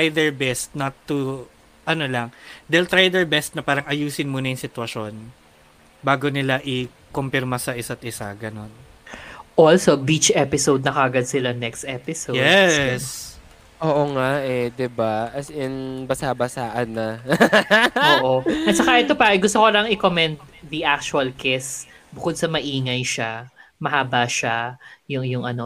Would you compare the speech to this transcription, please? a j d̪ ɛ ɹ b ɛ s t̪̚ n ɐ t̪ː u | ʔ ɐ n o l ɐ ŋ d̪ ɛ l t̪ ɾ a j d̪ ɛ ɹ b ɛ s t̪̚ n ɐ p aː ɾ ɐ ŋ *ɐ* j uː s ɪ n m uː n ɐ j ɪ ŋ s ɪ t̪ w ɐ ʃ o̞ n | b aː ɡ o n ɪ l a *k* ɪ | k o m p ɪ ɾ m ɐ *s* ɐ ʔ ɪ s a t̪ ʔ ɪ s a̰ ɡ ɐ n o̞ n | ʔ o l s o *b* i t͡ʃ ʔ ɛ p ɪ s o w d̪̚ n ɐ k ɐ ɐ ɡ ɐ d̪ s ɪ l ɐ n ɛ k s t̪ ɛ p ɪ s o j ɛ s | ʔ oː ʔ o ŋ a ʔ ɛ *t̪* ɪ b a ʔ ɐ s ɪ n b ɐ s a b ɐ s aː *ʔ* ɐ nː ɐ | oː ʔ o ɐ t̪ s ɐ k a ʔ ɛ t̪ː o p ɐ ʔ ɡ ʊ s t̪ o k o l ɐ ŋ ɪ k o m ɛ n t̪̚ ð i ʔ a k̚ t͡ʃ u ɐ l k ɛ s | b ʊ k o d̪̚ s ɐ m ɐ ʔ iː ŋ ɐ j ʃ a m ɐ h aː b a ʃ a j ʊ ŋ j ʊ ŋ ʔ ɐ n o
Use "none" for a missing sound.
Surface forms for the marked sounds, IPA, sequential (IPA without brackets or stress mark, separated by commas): ɐ, ʔ, s, b, d̪, ʔ